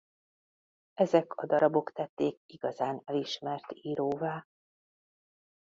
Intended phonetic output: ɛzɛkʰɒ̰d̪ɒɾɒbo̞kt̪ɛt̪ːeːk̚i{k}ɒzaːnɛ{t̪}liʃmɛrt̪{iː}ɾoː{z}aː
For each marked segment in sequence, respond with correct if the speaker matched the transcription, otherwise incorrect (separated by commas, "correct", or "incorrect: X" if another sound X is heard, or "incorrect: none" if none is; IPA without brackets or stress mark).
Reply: incorrect: ɡ, incorrect: none, correct, incorrect: v